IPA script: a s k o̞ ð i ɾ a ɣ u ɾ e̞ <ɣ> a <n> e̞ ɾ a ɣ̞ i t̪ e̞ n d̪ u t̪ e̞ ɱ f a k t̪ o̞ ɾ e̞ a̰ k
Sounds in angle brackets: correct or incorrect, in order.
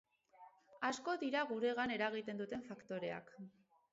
correct, correct

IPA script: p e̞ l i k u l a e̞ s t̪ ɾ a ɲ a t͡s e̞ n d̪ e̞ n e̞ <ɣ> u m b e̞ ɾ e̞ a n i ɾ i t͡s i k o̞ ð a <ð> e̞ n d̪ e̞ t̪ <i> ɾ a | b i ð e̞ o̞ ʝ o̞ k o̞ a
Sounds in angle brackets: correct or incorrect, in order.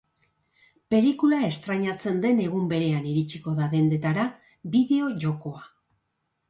correct, correct, incorrect

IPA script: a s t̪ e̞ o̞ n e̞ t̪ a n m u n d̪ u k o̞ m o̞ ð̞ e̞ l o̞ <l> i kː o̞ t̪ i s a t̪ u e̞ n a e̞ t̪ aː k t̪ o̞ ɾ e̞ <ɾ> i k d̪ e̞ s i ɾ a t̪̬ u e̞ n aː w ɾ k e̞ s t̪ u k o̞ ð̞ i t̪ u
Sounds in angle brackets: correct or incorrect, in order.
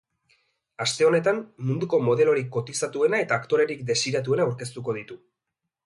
incorrect, correct

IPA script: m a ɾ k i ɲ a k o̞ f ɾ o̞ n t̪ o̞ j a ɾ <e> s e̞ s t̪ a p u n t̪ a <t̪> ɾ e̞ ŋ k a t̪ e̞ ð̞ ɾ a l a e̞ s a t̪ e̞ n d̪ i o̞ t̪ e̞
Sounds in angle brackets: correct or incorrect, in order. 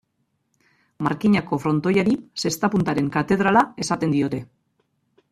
incorrect, incorrect

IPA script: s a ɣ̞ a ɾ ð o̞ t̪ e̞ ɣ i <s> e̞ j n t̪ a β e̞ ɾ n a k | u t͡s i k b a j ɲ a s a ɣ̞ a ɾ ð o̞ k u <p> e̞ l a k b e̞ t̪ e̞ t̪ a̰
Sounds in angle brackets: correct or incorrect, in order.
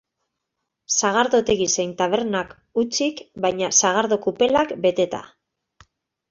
correct, correct

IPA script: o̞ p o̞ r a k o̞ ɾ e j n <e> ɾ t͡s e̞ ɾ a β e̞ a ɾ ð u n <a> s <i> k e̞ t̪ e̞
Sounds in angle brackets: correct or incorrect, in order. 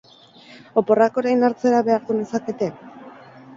incorrect, incorrect, incorrect

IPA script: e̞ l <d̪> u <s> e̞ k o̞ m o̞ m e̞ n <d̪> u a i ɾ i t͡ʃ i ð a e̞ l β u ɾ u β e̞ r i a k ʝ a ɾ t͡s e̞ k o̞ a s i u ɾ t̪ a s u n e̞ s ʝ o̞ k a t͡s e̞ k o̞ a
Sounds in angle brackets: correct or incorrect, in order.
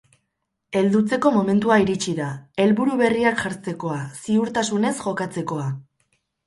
correct, incorrect, incorrect

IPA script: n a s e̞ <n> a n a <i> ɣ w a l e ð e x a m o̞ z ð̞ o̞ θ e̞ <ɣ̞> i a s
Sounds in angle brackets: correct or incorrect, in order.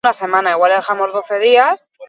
incorrect, correct, incorrect

